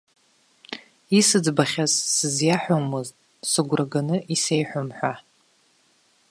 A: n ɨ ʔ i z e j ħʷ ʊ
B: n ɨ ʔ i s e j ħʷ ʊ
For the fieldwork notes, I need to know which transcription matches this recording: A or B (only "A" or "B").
B